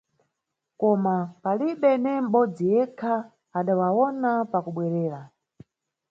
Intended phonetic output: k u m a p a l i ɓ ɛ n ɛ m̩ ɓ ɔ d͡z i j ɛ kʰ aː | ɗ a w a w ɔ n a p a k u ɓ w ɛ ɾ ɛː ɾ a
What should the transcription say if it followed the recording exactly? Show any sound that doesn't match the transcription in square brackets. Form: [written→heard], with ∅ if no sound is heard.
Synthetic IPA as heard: k [u→ɔ] m a p a l i ɓ ɛ n ɛ m̩ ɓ ɔ d͡z i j ɛ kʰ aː | ɗ a w a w ɔ n a p a k u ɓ w ɛ ɾ ɛː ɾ a